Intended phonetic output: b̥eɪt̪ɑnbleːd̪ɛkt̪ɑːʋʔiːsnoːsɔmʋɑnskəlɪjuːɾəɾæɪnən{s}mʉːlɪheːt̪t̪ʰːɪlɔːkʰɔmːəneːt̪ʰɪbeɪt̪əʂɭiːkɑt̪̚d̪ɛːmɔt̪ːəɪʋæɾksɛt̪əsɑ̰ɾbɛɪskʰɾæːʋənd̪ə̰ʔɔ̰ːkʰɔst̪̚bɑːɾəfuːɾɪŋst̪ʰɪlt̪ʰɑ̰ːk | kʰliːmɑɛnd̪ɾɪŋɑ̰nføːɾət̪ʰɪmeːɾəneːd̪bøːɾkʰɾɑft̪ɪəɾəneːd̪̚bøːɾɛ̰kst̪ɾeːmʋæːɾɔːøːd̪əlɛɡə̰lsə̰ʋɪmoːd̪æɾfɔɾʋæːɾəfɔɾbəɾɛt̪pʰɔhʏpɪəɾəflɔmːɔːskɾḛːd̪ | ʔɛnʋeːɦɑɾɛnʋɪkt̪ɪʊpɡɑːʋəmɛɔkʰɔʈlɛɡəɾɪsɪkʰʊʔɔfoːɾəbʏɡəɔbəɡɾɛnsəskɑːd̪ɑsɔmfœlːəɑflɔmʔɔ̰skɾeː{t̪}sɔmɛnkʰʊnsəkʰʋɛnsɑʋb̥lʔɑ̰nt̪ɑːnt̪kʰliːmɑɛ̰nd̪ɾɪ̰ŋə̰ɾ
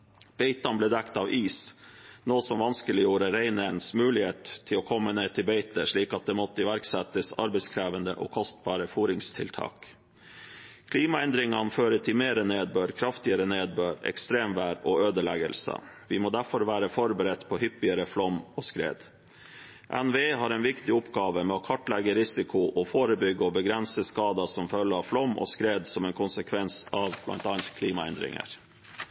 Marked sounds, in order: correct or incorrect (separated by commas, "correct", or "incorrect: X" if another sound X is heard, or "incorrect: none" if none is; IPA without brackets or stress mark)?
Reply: correct, incorrect: d̪